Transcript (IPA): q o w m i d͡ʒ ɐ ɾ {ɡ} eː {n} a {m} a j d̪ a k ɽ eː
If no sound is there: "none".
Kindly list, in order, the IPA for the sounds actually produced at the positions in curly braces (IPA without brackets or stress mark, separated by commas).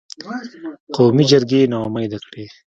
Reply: ɡ, n, m